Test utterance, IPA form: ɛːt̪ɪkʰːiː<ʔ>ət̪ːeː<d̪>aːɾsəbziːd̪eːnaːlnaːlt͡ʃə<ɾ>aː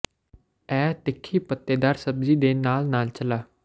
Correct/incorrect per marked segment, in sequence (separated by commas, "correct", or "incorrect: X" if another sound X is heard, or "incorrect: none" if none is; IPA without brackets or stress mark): incorrect: p, correct, incorrect: l